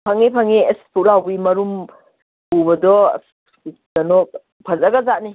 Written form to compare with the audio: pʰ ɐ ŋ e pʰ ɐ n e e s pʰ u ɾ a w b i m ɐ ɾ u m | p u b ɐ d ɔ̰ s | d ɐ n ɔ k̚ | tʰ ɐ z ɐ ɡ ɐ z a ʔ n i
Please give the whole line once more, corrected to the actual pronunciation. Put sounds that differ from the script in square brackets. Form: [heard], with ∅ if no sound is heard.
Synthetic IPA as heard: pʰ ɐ ŋ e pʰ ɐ [ŋ] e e s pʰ u [l] a w b i m ɐ ɾ u m | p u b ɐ d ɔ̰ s | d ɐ n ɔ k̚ | [pʰ] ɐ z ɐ ɡ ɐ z a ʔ n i